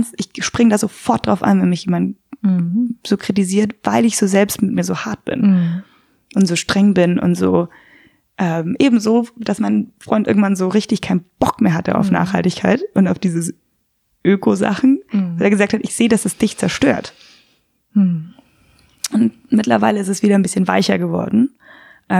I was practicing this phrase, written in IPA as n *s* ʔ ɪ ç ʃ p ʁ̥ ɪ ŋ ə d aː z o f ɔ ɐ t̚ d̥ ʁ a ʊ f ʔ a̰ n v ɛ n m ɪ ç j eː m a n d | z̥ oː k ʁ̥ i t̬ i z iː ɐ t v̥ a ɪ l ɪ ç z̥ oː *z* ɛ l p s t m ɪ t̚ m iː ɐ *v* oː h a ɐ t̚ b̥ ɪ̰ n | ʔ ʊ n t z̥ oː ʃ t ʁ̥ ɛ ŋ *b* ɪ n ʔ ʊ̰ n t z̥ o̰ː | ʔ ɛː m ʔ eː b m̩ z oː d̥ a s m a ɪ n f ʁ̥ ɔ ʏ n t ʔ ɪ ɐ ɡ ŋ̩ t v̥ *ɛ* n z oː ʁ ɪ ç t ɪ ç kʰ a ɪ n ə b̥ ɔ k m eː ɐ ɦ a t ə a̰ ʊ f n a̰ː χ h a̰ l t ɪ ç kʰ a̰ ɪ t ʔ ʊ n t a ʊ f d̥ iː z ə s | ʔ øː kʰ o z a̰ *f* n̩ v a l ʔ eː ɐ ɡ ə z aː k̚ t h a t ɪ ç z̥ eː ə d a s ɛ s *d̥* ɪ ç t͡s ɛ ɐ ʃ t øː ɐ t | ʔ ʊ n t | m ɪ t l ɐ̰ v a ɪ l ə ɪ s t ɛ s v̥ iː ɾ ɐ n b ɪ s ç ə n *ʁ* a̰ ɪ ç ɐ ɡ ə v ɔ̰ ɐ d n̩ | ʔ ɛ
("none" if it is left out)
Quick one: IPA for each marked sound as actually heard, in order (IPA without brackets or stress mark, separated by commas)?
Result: s, z, z, b, a, χ, d̥, v